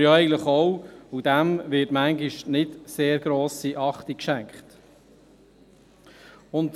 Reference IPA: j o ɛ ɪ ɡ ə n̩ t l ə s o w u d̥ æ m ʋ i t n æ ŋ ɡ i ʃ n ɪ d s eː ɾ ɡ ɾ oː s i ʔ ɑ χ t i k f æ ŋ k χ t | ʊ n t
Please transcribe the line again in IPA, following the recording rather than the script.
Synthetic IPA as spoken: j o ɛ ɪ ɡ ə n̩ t l ə χ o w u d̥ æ m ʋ ɪ t m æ ŋ ɡ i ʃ n ɪ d s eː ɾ ɡ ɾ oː s i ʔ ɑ χ t i k ʃ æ ŋ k χ t | ʊ n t